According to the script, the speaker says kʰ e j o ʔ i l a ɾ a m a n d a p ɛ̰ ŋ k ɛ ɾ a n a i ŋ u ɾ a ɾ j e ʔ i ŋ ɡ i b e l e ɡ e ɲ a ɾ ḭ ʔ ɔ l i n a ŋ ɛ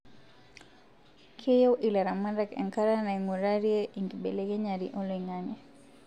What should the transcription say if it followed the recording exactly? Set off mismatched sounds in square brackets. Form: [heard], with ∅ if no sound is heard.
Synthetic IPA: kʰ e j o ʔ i l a ɾ a m a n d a [k] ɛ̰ ŋ k [a] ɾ a n a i ŋ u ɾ a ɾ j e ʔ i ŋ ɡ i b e l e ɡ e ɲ a ɾ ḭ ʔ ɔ l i [ŋ] a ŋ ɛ